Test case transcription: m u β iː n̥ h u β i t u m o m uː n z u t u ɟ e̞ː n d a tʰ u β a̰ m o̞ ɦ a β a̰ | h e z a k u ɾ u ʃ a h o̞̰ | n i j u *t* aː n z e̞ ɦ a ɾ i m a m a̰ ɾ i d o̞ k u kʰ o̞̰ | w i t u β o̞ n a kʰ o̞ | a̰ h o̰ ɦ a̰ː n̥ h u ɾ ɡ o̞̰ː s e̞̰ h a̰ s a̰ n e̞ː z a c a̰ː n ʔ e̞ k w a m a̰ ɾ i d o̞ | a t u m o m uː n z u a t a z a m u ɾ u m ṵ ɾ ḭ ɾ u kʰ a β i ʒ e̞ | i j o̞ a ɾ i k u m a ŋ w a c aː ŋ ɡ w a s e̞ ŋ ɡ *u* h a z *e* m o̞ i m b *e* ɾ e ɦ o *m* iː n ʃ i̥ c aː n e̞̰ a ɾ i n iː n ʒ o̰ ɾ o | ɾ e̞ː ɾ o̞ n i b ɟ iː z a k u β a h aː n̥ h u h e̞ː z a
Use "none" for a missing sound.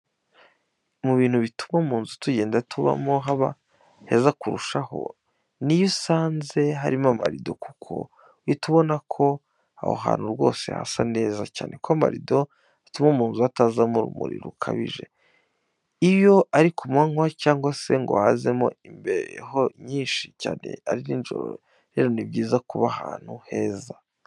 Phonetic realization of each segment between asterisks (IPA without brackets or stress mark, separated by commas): s, o, e, e, ɲ